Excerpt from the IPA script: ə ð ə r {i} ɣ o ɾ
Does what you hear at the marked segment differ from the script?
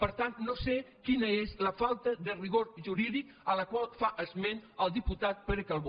no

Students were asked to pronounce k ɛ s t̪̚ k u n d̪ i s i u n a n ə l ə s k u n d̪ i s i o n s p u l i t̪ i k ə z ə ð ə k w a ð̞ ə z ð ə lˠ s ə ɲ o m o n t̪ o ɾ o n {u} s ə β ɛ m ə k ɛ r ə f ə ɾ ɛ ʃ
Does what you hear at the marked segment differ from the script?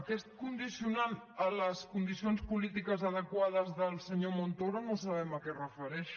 yes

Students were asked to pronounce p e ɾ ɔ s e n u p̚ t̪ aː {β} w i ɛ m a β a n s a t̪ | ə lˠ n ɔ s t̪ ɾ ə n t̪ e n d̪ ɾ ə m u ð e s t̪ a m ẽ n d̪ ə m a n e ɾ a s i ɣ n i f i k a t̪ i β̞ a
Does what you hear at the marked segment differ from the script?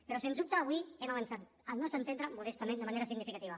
no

